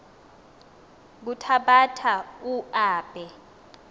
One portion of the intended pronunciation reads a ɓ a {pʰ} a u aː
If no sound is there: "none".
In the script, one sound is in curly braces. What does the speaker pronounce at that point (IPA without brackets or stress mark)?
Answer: tʰ